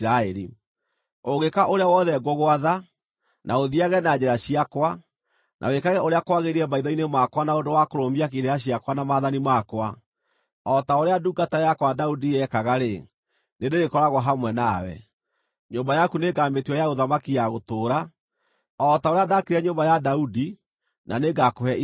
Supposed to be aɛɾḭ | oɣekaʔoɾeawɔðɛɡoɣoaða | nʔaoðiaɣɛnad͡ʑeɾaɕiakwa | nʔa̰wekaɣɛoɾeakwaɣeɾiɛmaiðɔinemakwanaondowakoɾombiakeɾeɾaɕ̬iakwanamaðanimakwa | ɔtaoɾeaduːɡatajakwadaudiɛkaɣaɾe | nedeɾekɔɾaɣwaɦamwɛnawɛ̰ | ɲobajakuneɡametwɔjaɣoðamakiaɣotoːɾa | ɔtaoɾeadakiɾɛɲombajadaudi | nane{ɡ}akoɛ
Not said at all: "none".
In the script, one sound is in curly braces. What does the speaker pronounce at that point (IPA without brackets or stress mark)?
ɡ